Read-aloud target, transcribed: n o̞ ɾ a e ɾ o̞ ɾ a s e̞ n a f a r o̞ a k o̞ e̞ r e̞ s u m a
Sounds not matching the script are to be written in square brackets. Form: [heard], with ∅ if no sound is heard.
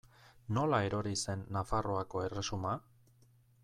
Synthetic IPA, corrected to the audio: n o̞ [l] a e ɾ o̞ ɾ [i] s e̞ [nː] a f a r o̞ a k o̞ e̞ r e̞ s u m a

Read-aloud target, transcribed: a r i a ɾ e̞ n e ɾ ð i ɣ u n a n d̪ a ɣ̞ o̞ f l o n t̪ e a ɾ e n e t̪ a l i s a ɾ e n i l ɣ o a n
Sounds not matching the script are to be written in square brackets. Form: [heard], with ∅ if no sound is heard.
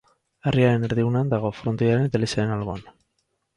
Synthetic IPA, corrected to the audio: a r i a ɾ e̞ n e ɾ ð i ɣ u n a n d̪ a ɣ̞ o̞ f [ɾ] o n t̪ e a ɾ e n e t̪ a l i s a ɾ e n [a] l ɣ o a n

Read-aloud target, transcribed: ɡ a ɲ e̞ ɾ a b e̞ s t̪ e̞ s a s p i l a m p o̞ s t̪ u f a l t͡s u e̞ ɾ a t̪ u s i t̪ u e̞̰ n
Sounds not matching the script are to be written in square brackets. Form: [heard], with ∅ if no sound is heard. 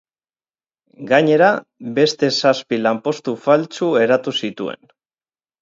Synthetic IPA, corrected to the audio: ɡ a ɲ e̞ ɾ a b e̞ s t̪ e̞ s a s p i l a m p o̞ s t̪ u f a l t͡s u e̞ ɾ a t̪ u s i t̪ u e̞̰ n

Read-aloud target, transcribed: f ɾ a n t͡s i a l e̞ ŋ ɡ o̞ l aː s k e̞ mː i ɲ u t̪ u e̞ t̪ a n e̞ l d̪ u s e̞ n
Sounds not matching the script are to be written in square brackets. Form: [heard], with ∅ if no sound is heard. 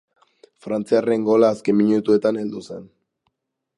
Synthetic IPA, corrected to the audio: f ɾ a n t͡s i a [r] e̞ ŋ ɡ o̞ l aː s k e̞ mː i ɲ u t̪ u e̞ t̪ a n e̞ l d̪ u s e̞ n

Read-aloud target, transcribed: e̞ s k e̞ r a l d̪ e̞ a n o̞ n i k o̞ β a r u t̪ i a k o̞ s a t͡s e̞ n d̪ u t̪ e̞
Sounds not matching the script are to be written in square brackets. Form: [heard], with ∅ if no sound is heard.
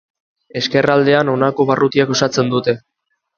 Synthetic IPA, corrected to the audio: e̞ s k e̞ r a l d̪ e̞ a n o̞ n [a] k o̞ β a r u t̪ i a k o̞ s a t͡s e̞ n d̪ u t̪ e̞

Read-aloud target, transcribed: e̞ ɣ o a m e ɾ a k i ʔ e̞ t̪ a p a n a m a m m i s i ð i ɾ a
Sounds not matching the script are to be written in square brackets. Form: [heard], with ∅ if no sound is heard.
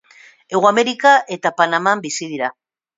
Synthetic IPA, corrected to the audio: e̞ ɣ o a m e ɾ [i] k [a] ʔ e̞ t̪ a p a n a m a m [b] i s i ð i ɾ a

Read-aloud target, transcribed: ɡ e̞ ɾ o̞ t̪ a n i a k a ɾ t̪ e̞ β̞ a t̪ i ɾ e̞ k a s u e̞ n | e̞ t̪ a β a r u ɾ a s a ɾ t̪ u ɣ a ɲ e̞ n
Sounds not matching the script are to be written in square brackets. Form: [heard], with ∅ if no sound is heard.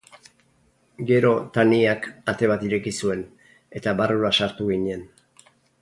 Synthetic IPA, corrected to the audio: ɡ e̞ ɾ o̞ t̪ a n i a k a [∅] t̪ e̞ β̞ a t̪ i ɾ e̞ k [i] s u e̞ n | e̞ t̪ a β a r u ɾ a s a ɾ t̪ u ɣ [i] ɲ e̞ n

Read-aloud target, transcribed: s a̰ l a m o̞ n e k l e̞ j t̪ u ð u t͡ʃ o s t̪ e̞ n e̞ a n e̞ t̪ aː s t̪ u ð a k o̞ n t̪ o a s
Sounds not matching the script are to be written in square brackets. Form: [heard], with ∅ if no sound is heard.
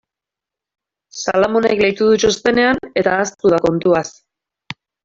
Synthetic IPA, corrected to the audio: s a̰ l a m o̞ n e k l e̞ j t̪ u ð u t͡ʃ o s t̪ e̞ n e̞ a n e̞ t̪ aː s t̪ u ð a k o̞ n t̪ [u] a s

